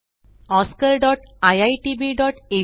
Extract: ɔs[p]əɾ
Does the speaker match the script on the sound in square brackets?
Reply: no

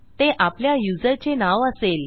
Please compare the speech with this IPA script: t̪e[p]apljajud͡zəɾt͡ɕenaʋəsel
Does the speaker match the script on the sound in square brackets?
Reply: no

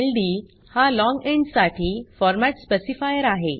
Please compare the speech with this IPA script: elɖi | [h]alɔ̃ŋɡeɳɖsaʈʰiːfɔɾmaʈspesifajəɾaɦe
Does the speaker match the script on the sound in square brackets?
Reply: yes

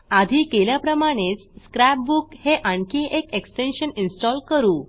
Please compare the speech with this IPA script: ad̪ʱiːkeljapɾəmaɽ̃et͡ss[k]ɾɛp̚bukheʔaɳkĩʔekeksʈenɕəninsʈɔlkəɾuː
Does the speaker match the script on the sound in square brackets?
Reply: yes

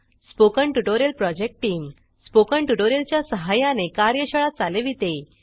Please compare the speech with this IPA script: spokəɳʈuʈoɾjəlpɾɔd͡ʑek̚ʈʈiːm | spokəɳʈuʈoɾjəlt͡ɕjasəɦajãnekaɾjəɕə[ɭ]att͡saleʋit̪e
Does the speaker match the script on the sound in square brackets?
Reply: yes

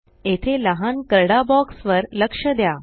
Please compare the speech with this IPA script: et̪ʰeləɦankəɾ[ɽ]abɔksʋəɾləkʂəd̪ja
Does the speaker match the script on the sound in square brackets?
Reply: yes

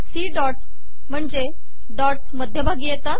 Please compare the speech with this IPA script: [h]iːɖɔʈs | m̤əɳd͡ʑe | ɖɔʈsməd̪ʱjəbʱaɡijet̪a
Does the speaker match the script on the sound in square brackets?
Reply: no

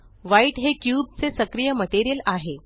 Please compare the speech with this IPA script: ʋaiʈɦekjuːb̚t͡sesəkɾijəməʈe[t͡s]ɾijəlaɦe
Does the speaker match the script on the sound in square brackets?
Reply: no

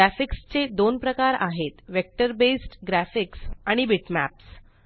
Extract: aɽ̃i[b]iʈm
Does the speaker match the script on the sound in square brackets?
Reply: yes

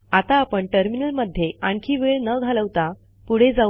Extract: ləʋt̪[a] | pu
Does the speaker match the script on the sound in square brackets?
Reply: yes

